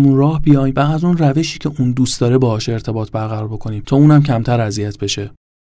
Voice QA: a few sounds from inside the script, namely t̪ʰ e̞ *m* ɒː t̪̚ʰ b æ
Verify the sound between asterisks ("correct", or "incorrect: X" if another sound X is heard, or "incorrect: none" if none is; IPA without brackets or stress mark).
incorrect: b